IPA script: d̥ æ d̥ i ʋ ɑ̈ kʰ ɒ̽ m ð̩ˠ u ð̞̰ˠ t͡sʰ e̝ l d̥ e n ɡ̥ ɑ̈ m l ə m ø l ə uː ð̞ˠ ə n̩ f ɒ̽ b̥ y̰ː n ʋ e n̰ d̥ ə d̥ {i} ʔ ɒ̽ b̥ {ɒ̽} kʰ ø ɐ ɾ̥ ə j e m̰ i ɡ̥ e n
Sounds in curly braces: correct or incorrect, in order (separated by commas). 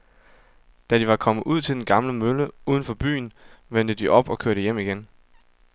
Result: correct, correct